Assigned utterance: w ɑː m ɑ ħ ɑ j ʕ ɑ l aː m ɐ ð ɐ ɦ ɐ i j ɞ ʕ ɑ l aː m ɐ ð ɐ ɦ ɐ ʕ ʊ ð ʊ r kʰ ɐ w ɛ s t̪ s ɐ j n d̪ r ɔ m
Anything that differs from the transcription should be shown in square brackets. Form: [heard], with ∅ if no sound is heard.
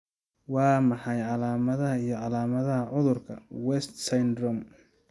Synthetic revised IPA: w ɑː m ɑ ħ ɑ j ʕ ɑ l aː m ɐ ð ɐ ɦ ɐ i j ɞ ʕ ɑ l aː m ɐ ð ɐ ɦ ɐ ʕ ʊ ð ʊ r kʰ ɐ w ɛ s t̪ s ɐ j n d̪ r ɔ m